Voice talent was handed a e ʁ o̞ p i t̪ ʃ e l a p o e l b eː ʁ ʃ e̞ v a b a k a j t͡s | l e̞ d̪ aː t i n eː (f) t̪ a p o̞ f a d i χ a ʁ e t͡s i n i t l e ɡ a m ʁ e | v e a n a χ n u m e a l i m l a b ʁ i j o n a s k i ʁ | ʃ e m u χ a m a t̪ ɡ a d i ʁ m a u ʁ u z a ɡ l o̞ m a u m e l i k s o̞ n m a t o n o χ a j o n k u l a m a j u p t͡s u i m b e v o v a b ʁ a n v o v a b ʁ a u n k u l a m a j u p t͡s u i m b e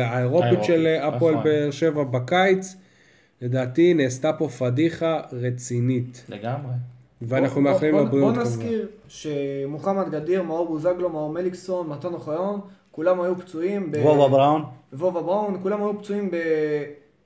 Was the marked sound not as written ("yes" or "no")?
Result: yes